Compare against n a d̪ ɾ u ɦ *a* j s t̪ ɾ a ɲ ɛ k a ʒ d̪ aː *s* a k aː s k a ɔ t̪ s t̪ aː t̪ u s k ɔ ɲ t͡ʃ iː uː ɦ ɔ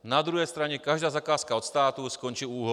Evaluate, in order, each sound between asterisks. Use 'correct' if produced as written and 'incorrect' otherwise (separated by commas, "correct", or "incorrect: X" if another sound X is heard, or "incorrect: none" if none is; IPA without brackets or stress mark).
incorrect: ɛ, incorrect: z